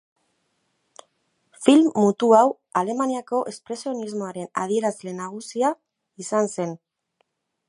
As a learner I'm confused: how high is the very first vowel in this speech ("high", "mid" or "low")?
high